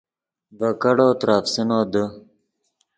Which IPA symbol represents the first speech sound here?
b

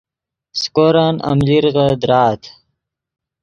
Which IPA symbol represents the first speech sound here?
s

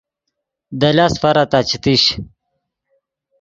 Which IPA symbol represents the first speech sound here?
d̪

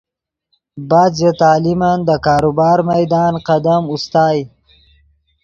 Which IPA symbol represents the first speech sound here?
b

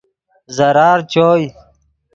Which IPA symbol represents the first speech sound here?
z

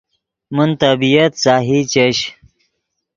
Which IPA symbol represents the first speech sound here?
m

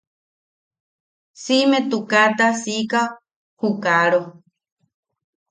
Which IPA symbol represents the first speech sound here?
s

